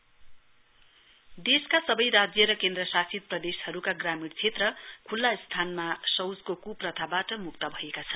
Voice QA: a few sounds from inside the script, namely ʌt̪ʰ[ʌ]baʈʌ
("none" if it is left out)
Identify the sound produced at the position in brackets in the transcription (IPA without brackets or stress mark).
a